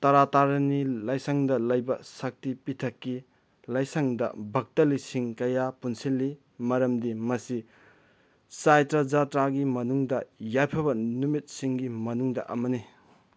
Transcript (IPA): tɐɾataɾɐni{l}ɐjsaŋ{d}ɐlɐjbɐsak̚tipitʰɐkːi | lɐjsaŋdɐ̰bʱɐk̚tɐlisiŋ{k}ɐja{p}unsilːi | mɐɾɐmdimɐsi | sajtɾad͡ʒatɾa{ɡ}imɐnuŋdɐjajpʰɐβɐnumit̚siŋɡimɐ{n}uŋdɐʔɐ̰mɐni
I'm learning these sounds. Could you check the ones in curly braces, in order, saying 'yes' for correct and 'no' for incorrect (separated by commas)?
yes, yes, yes, yes, yes, yes